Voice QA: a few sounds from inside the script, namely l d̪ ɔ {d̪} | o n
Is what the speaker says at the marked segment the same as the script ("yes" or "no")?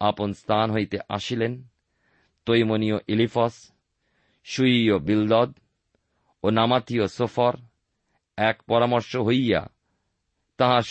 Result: yes